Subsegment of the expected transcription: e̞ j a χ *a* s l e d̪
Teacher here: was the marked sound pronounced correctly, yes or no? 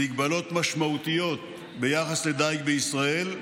yes